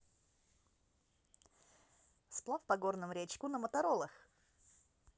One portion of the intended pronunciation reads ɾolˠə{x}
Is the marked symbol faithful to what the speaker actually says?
yes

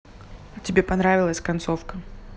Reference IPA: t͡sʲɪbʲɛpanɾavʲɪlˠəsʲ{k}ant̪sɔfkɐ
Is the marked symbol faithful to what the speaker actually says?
yes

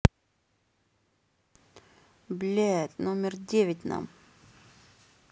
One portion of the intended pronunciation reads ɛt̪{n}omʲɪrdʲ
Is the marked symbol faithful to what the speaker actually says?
yes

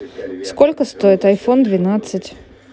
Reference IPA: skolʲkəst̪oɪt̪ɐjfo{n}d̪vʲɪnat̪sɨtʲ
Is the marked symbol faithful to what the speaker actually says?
yes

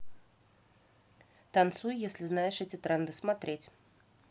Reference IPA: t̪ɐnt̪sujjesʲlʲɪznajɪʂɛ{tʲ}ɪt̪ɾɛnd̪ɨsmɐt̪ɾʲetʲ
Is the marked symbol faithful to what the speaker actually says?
yes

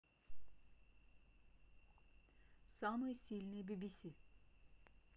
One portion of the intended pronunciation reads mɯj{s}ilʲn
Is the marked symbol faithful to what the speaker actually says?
yes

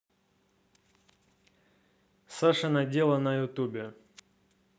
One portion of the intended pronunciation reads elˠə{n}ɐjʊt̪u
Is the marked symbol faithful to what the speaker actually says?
yes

